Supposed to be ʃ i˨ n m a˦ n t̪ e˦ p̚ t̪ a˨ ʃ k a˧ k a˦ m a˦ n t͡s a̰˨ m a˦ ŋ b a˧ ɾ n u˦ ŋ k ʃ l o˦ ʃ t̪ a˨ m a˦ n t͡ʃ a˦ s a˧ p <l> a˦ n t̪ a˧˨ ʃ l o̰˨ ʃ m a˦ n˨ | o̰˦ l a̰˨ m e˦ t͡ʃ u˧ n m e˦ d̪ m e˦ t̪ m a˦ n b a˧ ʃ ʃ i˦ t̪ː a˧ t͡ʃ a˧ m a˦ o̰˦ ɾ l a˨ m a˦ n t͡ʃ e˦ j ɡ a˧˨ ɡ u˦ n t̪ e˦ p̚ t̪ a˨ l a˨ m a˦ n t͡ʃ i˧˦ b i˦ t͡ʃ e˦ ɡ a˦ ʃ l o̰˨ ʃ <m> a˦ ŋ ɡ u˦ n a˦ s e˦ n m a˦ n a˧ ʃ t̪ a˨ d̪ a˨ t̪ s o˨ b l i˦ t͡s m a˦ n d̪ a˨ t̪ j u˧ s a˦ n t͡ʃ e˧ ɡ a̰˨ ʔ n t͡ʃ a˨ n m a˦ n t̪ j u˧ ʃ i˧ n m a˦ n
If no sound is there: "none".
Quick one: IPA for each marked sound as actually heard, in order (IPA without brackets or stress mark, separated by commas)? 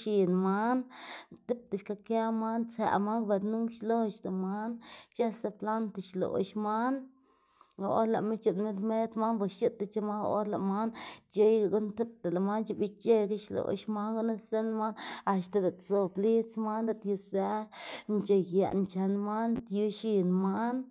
l, m